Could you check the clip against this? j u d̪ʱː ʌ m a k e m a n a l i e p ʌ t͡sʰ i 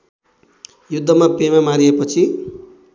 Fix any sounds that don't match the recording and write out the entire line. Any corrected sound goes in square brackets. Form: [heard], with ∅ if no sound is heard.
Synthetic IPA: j u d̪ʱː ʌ m a [p] e m a [m] a [ɾ] i e p ʌ t͡sʰ i